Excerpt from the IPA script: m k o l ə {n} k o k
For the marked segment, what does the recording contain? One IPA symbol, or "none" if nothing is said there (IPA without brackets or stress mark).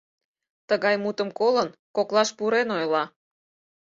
n